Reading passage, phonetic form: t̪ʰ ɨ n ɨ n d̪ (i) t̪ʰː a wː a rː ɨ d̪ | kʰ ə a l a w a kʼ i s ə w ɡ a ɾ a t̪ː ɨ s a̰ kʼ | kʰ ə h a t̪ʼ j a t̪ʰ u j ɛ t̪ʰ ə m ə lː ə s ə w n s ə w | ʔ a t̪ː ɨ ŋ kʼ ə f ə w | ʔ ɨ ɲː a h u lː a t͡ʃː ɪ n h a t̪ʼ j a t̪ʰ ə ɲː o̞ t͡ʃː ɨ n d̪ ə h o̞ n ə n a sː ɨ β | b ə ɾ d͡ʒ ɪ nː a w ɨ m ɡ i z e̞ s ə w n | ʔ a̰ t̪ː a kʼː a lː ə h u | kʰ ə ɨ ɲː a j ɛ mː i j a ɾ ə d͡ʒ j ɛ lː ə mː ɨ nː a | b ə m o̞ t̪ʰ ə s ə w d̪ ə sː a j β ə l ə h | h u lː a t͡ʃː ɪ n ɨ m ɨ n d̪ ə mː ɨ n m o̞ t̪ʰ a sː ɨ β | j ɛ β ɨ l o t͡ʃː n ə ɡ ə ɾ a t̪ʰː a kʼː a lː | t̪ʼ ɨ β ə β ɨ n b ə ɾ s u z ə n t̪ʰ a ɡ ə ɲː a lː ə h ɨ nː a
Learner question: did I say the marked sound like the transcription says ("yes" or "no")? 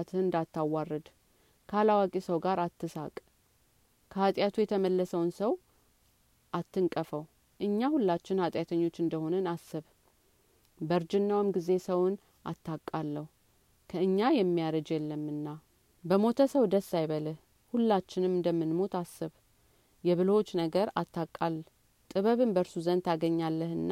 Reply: no